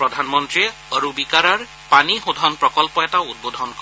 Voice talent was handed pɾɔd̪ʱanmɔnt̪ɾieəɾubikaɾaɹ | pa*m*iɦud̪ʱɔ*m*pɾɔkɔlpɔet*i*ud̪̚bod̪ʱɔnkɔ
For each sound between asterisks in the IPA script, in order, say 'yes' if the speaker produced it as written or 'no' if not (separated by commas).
no, no, no